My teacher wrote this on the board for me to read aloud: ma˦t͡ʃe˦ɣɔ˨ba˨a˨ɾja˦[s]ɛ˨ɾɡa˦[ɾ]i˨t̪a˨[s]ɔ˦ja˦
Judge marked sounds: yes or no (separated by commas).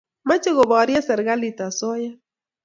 yes, no, yes